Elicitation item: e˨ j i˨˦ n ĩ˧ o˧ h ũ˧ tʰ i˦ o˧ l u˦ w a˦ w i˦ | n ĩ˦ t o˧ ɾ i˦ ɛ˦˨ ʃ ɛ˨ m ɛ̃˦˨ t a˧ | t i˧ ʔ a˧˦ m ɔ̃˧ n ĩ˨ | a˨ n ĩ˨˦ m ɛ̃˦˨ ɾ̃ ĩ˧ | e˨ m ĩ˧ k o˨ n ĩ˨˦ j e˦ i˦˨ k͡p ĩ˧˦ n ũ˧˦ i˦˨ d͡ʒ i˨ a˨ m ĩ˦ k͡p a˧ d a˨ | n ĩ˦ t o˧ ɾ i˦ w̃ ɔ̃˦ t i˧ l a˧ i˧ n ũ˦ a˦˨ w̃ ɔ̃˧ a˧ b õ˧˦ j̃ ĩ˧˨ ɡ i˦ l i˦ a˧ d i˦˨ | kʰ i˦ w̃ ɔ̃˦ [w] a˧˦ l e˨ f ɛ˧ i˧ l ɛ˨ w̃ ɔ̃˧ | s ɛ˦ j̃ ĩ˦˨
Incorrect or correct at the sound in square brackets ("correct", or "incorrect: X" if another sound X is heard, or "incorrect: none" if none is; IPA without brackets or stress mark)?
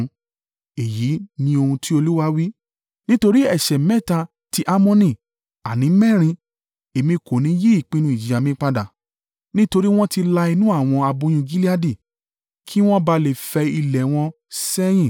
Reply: incorrect: b